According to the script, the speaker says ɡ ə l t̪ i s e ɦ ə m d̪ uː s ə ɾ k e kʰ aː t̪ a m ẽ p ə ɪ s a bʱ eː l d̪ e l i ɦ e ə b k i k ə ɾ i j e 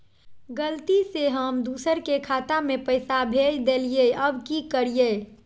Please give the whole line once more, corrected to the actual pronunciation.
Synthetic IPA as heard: ɡ ə l t̪ i s e ɦ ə m d̪ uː s ə ɾ k e kʰ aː t̪ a m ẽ p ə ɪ s a bʱ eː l d̪ e l i e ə b k i k ə ɾ i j e

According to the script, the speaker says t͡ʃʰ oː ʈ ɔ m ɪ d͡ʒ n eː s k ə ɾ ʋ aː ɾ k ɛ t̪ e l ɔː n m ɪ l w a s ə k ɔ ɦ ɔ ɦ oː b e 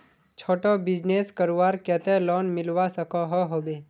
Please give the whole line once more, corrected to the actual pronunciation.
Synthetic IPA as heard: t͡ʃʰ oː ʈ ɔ b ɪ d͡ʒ n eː s k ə ɾ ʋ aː ɾ k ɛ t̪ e l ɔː n m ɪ l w a s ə k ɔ ɦ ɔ ɦ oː b e

